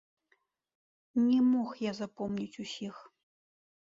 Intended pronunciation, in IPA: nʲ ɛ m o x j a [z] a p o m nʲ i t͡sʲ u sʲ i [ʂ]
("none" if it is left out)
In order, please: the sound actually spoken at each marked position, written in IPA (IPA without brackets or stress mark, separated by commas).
z, x